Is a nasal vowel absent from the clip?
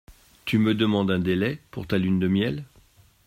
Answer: no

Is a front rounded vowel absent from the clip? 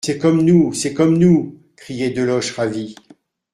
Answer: yes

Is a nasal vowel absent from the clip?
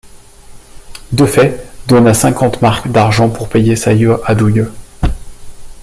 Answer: no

